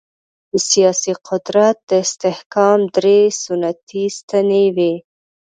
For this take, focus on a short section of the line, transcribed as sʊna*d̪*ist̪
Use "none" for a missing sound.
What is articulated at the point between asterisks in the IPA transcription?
t̪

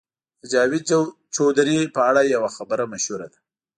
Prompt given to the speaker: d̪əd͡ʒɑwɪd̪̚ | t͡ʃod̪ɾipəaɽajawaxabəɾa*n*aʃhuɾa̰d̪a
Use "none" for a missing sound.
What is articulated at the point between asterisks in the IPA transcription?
m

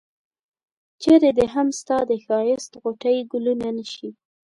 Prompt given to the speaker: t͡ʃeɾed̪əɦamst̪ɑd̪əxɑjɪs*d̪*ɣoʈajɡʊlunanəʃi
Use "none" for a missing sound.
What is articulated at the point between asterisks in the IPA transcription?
t̪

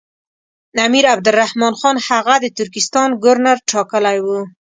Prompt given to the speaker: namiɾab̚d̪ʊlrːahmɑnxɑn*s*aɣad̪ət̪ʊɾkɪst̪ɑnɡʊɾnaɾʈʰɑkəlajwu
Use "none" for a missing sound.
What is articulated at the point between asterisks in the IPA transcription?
h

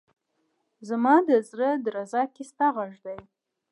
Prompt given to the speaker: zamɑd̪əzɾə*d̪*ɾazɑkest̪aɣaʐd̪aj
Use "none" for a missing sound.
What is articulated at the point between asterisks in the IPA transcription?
d̪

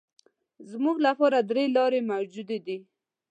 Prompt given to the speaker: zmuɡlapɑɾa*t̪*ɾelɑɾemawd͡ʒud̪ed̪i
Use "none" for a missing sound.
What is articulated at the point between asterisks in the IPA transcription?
d̪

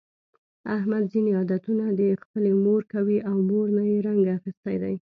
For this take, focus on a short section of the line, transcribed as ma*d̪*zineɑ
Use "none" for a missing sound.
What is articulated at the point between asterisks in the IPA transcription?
d̪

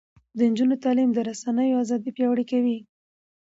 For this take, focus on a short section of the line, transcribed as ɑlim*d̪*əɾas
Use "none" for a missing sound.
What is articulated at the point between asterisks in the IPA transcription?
d̪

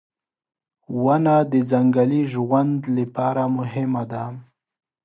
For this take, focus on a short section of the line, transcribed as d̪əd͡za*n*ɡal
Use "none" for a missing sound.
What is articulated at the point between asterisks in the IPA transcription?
ŋ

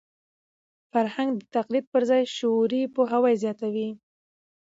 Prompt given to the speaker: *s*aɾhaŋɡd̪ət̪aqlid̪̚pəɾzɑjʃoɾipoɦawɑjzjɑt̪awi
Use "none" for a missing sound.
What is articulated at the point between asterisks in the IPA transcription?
f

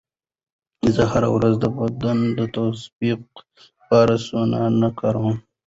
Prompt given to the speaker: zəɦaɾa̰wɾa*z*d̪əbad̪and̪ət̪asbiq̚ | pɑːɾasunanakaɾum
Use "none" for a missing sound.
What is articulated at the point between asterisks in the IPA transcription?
z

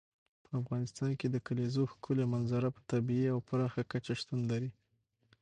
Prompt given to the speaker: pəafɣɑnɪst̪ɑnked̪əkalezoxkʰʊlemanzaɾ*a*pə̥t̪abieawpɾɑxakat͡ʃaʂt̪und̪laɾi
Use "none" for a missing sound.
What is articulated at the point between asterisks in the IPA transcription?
a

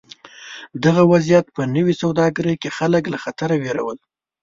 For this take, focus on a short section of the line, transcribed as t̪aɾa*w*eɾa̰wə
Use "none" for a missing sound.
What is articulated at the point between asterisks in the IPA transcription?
w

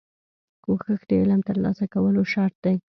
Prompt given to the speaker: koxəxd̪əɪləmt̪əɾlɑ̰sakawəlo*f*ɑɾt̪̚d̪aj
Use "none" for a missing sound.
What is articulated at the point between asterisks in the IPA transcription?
ʃ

